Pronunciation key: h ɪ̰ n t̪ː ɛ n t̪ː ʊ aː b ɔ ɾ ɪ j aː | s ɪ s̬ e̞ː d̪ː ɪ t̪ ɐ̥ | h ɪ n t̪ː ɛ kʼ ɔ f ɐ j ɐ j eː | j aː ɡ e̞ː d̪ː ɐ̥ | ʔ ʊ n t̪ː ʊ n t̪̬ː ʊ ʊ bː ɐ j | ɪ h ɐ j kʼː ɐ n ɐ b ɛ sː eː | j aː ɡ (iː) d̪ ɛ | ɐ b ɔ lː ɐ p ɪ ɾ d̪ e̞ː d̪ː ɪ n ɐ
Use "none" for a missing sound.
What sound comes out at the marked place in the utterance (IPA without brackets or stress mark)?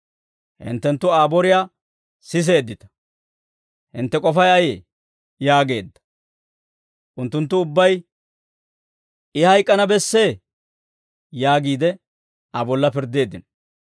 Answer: iː